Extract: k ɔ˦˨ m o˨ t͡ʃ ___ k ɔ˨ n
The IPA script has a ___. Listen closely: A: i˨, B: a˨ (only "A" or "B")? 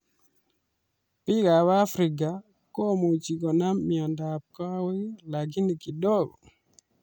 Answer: A